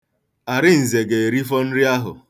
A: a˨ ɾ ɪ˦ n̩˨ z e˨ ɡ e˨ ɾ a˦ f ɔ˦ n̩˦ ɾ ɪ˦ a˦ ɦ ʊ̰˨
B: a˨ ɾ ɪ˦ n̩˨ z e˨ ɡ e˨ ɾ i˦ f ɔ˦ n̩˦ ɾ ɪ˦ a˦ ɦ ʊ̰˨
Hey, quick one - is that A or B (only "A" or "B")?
B